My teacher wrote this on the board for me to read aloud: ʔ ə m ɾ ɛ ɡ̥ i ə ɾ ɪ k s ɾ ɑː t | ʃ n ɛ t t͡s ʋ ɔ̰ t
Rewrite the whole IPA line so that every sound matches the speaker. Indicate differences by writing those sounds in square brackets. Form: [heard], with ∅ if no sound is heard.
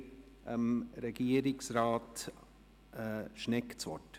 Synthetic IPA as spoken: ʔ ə m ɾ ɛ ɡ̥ i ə ɾ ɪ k s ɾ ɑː t | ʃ n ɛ [k] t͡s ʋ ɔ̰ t